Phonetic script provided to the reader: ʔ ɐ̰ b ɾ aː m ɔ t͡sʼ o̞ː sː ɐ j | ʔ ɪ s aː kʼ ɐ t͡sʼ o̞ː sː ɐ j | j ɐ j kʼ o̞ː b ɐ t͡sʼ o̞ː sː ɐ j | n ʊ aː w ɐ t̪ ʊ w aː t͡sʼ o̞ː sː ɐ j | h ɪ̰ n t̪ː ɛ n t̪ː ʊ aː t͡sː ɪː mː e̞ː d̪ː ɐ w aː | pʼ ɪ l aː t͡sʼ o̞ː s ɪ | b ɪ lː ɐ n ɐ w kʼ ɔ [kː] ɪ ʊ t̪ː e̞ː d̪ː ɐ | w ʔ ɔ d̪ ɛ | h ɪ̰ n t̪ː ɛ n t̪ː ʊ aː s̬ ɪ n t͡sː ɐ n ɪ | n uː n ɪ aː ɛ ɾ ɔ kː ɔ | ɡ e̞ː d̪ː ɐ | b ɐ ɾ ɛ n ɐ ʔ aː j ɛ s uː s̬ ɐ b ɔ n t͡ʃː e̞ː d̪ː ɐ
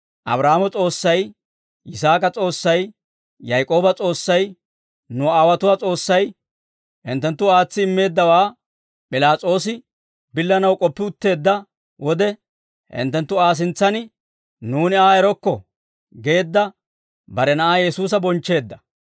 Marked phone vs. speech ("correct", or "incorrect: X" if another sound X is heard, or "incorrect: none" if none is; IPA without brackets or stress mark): incorrect: pː